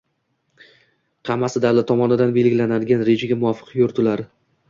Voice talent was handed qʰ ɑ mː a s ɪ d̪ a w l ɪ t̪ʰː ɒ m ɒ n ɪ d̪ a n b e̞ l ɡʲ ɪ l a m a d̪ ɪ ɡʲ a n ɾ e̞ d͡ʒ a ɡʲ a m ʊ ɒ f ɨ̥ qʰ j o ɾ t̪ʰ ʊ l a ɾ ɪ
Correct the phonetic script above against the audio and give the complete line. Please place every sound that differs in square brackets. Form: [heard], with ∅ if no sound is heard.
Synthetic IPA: qʰ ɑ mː a s ɪ d̪ a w l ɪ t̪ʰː ɒ m ɒ n ɪ d̪ a n b e̞ l ɡʲ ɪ l a [n] a d̪ ɪ ɡʲ a n ɾ e̞ d͡ʒ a ɡʲ a m ʊ ɒ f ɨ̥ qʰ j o ɾ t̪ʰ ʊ l a ɾ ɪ